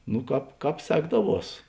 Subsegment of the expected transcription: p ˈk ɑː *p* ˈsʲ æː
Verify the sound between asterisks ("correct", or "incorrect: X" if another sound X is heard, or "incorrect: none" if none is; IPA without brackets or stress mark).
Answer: correct